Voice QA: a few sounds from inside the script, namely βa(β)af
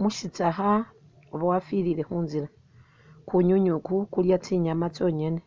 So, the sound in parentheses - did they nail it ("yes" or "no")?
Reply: no